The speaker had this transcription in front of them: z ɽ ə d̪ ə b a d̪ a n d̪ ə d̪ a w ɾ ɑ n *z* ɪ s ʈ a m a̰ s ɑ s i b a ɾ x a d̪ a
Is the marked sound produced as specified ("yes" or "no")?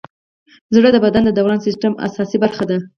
no